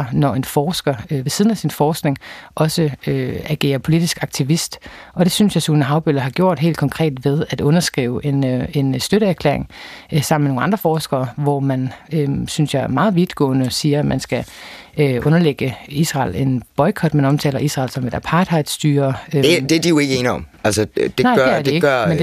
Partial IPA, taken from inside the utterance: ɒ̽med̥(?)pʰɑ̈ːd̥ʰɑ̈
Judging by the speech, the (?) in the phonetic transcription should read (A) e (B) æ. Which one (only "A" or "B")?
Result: B